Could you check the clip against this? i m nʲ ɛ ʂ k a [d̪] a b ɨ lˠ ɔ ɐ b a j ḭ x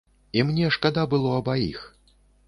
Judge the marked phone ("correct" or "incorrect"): correct